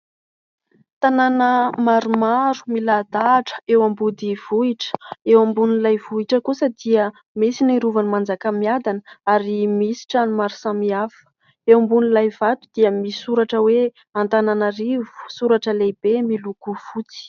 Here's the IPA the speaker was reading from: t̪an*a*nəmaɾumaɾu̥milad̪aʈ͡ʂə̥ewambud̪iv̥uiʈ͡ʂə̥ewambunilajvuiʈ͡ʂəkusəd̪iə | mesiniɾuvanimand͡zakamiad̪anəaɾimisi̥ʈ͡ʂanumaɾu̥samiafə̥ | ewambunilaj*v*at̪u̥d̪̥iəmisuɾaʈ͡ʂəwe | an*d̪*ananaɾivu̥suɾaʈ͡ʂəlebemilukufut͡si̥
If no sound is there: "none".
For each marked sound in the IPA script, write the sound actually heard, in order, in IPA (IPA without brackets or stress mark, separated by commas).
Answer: a, v, t̪